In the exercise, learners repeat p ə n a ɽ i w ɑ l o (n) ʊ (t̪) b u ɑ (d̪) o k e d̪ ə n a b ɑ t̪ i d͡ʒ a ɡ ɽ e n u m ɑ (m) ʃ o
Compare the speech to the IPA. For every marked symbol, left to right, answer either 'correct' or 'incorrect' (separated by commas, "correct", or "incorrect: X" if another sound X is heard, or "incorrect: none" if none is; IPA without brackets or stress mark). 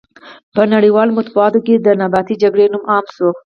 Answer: incorrect: m, correct, incorrect: t̪, correct